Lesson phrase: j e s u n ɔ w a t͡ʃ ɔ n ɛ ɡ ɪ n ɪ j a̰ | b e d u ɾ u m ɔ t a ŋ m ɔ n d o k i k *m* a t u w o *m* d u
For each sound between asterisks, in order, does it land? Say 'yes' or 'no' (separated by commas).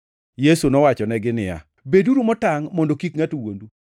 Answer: no, no